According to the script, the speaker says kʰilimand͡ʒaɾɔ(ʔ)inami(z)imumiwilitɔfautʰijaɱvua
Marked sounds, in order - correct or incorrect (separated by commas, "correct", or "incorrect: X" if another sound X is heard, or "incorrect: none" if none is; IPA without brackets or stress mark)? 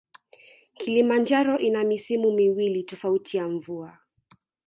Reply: correct, incorrect: s